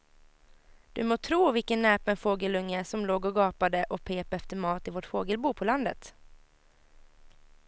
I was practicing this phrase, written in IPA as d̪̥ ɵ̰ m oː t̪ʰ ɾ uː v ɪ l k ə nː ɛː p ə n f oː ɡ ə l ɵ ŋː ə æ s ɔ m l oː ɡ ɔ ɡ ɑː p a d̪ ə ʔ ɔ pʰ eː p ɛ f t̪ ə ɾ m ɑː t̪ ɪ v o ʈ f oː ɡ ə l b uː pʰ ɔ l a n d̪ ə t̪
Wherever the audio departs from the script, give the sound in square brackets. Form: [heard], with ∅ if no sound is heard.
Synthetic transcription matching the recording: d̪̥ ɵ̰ m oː t̪ʰ ɾ uː v ɪ l k ə nː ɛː p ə n f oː ɡ ə l ɵ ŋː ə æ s ɔ m l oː ɡ ɔ ɡ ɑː p a d̪ ə ʔ ɔ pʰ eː p ɛ f t̪ ə ɾ m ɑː t̪ ɪ v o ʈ f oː ɡ ə l b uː pʰ ɔ l a n d̪ ə t̪